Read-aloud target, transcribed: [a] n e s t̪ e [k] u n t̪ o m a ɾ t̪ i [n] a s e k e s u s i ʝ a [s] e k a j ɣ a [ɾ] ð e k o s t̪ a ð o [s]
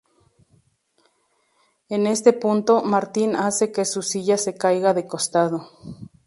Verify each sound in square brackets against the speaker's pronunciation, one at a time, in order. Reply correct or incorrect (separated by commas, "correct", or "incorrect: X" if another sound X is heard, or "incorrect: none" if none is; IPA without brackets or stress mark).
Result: incorrect: e, incorrect: p, correct, correct, incorrect: none, incorrect: none